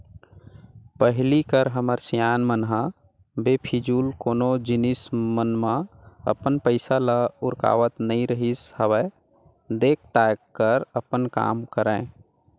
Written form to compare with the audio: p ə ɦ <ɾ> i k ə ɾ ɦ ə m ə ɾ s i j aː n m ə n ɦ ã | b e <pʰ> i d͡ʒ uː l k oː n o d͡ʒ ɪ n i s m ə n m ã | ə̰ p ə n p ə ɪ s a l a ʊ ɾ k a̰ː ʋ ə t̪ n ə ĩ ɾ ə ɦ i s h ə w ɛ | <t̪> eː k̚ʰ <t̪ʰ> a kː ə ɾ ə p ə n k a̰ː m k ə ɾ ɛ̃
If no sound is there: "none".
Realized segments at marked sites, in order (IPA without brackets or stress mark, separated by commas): l, pʰ, d̪, t̪